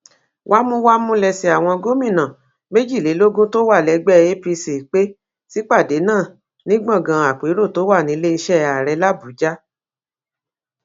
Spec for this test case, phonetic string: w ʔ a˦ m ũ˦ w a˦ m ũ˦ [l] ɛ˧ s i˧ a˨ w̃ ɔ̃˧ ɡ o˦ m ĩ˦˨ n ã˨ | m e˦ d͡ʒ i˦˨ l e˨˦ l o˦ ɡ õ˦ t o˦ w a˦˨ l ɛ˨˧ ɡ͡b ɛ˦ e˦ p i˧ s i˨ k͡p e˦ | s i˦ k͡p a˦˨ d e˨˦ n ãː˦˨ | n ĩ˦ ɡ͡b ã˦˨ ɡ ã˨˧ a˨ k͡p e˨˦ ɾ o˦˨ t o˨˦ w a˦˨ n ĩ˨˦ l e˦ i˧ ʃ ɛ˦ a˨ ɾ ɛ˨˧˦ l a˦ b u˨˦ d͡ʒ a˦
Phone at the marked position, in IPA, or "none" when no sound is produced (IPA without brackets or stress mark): l